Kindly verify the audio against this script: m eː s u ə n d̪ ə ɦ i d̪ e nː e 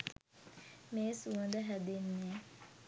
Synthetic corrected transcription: m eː s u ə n d̪ ə ɦ æ d̪ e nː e